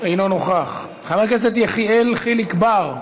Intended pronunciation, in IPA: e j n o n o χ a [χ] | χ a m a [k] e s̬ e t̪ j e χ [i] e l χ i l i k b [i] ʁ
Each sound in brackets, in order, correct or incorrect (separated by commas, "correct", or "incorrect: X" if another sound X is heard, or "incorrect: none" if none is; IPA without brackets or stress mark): correct, correct, correct, incorrect: a